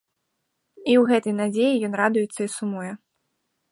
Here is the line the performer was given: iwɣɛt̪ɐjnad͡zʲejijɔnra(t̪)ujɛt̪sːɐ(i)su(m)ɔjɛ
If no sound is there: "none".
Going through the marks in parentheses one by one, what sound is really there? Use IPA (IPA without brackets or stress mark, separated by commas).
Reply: d̪, i, m